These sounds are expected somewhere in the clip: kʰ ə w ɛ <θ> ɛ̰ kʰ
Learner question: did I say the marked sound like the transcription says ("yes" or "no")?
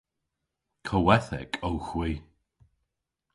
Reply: yes